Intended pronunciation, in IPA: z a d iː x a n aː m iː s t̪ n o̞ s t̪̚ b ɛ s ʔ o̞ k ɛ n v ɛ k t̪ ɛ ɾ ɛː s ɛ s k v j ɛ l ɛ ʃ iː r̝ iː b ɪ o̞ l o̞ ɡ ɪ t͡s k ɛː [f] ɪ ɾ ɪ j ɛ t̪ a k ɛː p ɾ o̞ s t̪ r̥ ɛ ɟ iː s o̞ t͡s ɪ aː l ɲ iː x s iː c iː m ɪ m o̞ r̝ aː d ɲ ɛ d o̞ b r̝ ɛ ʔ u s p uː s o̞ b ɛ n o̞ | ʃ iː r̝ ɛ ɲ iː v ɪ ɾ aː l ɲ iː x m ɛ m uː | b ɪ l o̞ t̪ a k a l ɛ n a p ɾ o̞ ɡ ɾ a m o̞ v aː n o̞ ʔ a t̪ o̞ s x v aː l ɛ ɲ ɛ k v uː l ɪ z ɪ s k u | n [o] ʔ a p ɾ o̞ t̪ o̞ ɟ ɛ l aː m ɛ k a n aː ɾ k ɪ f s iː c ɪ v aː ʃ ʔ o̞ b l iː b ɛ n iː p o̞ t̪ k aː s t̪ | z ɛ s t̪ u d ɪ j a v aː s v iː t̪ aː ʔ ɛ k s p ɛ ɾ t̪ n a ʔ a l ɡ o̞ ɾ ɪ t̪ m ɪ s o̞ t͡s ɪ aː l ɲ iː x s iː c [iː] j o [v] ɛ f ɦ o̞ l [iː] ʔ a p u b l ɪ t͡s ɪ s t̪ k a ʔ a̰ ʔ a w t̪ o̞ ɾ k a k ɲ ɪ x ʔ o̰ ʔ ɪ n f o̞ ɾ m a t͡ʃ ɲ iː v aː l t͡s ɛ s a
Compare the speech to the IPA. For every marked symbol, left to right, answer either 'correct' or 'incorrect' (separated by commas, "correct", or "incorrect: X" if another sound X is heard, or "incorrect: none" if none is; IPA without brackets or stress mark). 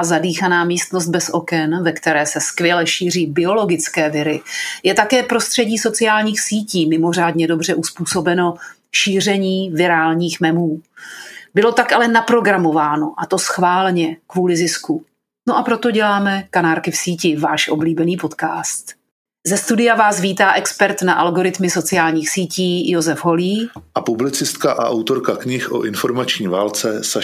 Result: incorrect: v, correct, correct, incorrect: z, correct